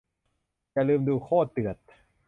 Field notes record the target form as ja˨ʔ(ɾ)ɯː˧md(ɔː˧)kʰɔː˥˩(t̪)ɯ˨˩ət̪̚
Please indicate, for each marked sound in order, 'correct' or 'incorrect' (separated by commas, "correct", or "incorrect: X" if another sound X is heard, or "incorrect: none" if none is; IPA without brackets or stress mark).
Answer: incorrect: l, incorrect: uː˧, correct